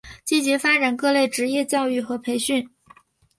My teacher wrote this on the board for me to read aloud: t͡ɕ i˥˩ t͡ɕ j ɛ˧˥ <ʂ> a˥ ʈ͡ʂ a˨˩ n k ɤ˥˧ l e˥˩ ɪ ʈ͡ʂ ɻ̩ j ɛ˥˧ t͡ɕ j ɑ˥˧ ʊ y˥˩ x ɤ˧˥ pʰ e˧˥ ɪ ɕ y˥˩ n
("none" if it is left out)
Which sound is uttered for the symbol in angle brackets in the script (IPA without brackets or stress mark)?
f